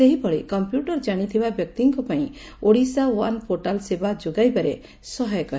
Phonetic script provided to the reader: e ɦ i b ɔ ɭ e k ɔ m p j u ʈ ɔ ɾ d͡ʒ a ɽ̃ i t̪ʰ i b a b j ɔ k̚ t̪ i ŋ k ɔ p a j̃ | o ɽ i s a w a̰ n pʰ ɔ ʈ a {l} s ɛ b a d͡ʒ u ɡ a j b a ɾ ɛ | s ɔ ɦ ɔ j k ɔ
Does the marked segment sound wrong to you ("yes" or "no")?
no